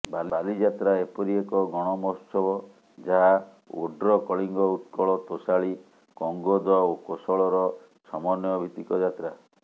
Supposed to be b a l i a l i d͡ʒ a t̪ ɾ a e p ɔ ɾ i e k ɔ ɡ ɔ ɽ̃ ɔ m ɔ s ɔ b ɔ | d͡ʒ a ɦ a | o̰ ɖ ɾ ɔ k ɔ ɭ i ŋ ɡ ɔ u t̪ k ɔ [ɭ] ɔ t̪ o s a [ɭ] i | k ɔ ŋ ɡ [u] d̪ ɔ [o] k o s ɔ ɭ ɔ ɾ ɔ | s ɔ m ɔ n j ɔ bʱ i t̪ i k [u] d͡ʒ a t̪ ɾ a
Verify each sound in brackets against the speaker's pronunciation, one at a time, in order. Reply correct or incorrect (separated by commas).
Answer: correct, correct, incorrect, correct, incorrect